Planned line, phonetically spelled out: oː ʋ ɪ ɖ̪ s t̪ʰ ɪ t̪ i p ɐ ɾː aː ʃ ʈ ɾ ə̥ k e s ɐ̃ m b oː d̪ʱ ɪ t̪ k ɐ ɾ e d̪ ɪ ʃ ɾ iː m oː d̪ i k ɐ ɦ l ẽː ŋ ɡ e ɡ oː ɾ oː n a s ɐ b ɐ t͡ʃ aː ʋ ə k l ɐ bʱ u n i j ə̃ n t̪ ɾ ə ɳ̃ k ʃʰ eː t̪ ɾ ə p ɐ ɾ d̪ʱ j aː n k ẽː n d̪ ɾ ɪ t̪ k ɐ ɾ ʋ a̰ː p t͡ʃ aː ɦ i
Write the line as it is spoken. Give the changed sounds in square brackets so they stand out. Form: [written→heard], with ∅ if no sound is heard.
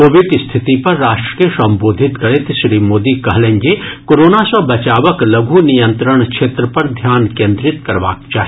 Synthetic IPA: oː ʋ ɪ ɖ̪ s t̪ʰ ɪ t̪ i p ɐ ɾː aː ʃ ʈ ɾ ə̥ k e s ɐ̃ m b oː d̪ʱ ɪ t̪ k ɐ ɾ e [d̪→t̪] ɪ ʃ ɾ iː m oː d̪ i k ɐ ɦ l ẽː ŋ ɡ e [ɡ→k] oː ɾ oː n a s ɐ b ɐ t͡ʃ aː ʋ ə k l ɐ [bʱ→ɡʱ] u n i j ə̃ n t̪ ɾ ə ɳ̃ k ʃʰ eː t̪ ɾ ə p ɐ ɾ d̪ʱ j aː n k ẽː n d̪ ɾ ɪ t̪ k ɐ ɾ ʋ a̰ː [p→k] t͡ʃ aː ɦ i

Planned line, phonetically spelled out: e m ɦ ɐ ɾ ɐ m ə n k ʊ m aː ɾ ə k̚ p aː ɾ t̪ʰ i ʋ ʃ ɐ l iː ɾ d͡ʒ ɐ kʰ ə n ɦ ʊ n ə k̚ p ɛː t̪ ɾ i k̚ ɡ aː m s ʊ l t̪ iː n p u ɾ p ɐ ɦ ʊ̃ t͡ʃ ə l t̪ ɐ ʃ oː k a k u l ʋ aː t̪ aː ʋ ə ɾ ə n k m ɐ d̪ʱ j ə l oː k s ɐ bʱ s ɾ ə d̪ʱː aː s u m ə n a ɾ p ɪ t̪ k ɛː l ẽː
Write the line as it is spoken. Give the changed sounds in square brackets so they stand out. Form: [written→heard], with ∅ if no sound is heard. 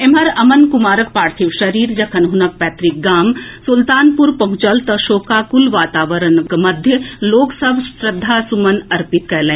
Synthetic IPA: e m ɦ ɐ ɾ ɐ m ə n k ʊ m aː ɾ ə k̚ p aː ɾ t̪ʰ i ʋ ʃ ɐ [l→ɾ] iː ɾ d͡ʒ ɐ kʰ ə n ɦ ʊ n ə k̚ p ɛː t̪ ɾ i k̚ ɡ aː m s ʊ l t̪ [iː→aː] n p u ɾ p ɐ ɦ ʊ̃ t͡ʃ ə l t̪ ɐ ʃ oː k a k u l ʋ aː t̪ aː ʋ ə ɾ ə n k m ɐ d̪ʱ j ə l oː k s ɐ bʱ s ɾ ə d̪ʱː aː s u m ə n [a→ɐ] ɾ p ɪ t̪ k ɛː l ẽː

